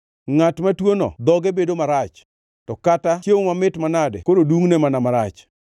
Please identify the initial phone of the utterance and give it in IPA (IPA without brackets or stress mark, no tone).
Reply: ŋ